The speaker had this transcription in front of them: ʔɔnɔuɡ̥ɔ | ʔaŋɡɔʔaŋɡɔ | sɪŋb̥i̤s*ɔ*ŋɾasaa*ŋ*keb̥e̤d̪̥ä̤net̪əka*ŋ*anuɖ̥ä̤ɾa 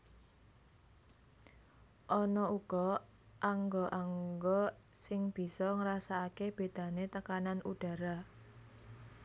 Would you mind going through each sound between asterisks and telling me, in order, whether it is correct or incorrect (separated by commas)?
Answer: correct, incorrect, incorrect